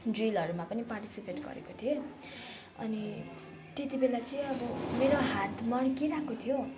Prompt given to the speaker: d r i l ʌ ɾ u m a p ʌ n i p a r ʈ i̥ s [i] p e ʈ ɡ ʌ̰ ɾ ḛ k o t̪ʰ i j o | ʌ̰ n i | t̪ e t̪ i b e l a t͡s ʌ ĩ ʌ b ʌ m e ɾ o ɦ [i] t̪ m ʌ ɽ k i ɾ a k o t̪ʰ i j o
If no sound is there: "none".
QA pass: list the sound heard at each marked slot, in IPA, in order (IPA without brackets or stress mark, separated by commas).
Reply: i, a